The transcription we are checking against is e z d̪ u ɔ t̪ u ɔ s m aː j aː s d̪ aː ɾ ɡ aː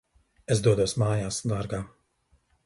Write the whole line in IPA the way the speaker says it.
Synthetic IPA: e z d̪ u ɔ d̪ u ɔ s m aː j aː s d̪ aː ɾ ɡ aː